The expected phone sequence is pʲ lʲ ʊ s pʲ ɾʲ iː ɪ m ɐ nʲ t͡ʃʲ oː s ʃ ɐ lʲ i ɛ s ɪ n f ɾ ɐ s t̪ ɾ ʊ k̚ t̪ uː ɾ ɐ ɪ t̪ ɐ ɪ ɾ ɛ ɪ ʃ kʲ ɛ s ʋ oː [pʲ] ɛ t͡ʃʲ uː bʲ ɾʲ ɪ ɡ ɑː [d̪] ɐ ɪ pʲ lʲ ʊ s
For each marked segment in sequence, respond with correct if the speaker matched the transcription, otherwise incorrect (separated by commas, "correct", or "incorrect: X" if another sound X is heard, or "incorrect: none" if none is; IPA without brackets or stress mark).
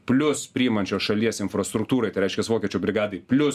incorrect: kʲ, correct